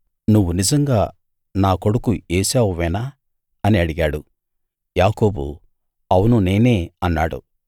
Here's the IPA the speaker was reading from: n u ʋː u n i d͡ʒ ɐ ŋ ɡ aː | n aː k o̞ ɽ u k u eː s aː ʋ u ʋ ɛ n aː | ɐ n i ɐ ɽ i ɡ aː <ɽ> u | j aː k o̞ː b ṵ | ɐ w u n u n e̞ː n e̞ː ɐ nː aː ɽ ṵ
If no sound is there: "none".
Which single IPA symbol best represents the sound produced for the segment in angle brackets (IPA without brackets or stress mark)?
ɽ